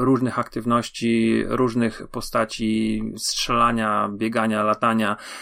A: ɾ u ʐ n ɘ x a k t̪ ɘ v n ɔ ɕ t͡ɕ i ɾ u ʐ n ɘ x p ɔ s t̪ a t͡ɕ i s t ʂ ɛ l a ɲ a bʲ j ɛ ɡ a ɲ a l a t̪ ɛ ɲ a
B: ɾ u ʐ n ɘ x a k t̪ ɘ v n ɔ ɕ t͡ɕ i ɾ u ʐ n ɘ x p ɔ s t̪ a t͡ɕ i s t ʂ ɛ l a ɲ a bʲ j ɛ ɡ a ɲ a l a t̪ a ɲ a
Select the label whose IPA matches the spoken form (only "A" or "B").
B